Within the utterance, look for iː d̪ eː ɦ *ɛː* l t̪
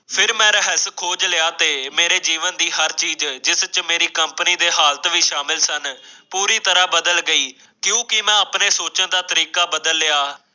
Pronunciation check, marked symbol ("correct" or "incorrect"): incorrect